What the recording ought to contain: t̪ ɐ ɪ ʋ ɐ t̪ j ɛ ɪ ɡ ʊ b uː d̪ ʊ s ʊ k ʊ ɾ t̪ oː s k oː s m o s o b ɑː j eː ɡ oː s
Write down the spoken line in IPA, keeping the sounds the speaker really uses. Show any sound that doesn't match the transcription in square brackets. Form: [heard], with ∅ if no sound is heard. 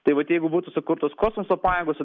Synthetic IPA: t̪ ɐ ɪ ʋ ɐ t̪ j ɛ ɪ ɡ ʊ b uː [t̪] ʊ s ʊ k ʊ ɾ t̪ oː s k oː s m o s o [p] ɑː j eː ɡ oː s